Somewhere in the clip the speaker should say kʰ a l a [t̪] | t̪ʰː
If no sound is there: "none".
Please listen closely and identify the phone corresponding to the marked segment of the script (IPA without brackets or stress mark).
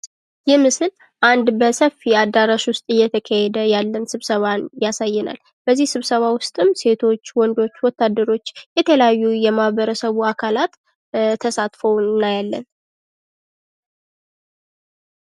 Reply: t̪